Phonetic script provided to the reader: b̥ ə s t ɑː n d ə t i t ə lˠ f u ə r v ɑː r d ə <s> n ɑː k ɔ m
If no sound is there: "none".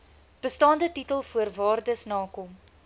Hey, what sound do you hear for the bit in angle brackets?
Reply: s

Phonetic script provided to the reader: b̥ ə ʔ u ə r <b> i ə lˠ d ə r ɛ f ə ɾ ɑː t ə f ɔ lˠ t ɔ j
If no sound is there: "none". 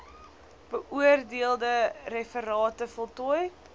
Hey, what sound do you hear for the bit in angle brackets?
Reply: d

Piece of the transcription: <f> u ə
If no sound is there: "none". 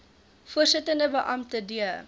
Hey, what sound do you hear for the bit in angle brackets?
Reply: f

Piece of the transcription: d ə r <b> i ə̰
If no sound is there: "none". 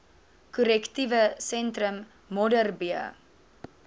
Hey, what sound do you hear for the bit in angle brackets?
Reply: b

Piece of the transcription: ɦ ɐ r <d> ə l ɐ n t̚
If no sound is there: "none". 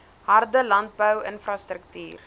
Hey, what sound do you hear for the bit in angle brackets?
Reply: d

